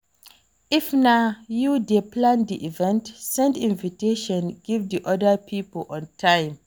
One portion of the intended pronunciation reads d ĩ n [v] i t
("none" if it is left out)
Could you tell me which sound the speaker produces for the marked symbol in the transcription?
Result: v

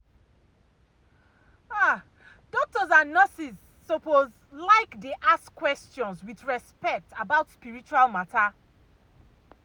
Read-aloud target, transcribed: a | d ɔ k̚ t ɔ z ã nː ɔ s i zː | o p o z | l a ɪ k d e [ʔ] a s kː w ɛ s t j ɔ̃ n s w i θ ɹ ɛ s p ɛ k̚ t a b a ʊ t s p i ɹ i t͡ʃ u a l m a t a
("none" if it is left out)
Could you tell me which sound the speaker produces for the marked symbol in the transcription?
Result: ʔ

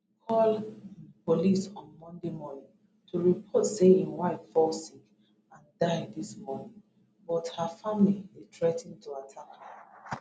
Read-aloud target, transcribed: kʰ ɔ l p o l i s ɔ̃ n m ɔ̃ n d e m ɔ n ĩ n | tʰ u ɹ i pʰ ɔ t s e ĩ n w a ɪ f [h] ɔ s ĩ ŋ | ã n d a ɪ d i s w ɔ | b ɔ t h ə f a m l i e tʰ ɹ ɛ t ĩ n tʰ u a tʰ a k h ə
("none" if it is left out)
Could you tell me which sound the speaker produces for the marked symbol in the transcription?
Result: f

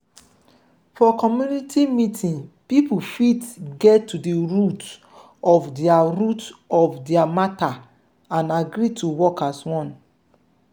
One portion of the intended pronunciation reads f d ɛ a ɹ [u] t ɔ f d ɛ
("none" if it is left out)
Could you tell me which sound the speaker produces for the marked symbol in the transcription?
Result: u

